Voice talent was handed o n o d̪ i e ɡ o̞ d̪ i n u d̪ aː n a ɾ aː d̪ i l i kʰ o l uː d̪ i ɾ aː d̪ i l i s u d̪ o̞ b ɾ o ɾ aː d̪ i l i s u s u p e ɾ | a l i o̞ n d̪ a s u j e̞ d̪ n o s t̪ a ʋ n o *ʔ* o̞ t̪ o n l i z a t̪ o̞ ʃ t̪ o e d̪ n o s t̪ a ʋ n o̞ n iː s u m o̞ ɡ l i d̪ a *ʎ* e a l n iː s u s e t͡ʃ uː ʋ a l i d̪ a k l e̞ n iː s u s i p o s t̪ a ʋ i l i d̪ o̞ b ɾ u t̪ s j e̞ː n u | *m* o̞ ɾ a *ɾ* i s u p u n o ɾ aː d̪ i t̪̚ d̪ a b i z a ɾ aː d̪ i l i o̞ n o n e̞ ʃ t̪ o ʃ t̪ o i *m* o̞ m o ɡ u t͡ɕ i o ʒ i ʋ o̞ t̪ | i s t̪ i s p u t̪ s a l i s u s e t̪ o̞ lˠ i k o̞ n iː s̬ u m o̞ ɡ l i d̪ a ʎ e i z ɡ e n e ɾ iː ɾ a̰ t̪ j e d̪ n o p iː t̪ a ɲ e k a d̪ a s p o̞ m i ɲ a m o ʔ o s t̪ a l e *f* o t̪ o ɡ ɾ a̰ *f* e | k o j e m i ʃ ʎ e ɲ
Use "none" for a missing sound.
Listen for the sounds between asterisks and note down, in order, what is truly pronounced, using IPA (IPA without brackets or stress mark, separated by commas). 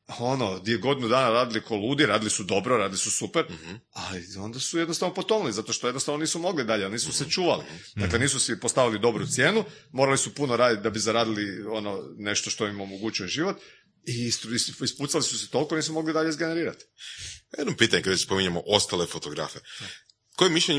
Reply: p, ʎ, m, l, m, f, f